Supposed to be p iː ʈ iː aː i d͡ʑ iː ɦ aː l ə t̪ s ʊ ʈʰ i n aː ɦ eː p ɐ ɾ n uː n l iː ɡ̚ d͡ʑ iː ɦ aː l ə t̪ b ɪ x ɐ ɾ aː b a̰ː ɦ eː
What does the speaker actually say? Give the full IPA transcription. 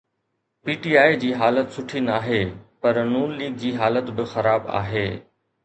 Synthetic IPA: p iː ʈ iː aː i d͡ʑ iː ɦ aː l ə t̪ s ʊ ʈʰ i n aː ɦ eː p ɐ ɾ n uː n l iː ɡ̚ d͡ʑ iː ɦ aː l ə t̪ b ɪ x ɐ ɾ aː b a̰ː ɦ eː